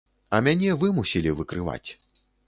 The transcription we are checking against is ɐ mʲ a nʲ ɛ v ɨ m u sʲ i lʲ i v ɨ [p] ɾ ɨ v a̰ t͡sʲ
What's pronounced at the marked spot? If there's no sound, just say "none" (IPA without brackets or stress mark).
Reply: k